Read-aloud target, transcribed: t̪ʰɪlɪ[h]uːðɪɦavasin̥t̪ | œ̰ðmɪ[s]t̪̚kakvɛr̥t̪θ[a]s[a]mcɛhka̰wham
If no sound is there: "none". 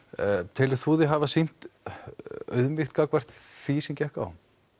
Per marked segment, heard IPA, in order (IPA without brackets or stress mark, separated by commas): θ, x, i, ɛ